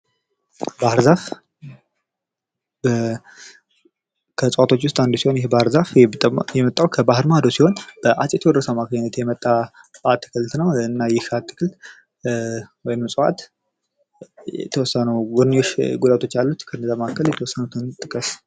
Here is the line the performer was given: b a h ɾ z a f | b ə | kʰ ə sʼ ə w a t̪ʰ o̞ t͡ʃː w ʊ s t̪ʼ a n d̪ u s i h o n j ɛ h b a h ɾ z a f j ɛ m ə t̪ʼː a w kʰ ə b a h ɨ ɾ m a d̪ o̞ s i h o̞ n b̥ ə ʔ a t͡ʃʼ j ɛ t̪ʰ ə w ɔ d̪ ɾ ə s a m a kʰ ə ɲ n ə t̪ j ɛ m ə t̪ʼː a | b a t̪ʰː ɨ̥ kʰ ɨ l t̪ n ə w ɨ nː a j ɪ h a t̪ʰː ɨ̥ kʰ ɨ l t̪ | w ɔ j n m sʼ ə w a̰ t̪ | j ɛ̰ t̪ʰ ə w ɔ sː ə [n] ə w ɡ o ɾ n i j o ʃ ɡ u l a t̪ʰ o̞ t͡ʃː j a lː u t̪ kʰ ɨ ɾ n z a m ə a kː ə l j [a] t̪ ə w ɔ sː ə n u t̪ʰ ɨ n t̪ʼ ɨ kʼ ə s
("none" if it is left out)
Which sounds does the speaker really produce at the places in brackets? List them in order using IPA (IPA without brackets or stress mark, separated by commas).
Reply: n, ɛ